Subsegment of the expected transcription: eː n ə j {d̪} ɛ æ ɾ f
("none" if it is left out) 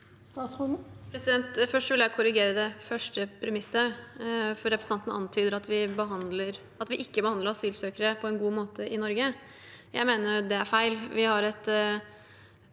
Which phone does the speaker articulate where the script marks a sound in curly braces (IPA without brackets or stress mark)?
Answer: d̪